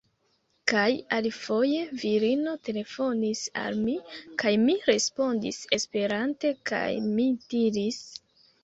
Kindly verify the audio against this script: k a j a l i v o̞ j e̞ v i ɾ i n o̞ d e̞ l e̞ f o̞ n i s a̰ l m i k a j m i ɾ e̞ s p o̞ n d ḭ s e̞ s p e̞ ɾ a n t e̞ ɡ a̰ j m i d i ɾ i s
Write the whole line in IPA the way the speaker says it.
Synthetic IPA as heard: k a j a l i f o̞ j e̞ v i ɾ i n o̞ t e̞ l e̞ f o̞ n i s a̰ l m i k a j m i ɾ e̞ s p o̞ n d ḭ s e̞ s p e̞ ɾ a n t e̞ k a̰ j m i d i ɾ i s